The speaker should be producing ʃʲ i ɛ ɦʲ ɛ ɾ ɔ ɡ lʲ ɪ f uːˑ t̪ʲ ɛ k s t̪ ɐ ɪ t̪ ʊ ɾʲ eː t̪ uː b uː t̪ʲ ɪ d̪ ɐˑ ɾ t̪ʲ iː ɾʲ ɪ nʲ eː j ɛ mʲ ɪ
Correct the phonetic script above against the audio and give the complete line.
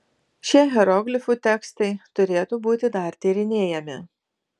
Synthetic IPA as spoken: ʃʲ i ɛ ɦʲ ɛ ɾ ɔ ɡ lʲ ɪ f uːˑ t̪ʲ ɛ k s t̪ ɐ ɪ t̪ ʊ ɾʲ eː t̪ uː b uː t̪ʲ ɪ d̪ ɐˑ ɾ t̪ʲ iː ɾʲ ɪ nʲ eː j ɛ mʲ ɪ